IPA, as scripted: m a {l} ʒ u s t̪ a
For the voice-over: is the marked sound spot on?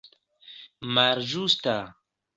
no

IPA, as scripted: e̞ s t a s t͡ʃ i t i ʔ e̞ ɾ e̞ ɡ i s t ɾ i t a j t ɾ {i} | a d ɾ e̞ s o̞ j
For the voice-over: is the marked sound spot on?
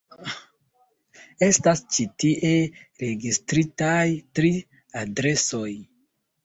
yes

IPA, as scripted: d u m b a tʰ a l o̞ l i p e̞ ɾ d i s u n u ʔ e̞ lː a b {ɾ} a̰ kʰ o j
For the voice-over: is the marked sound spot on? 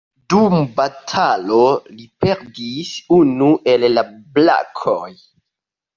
no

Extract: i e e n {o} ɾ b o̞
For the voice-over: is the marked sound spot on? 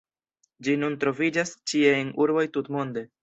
no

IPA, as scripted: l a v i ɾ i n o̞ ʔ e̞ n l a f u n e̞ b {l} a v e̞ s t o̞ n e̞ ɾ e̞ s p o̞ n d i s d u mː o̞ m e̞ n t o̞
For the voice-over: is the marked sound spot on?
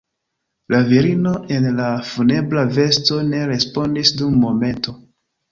yes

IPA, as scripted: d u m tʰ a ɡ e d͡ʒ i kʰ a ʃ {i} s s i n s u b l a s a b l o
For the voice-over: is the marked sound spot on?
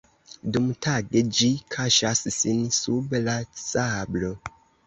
no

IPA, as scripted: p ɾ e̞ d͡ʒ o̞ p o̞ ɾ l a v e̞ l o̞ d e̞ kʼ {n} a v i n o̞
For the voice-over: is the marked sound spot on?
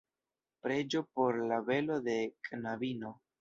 yes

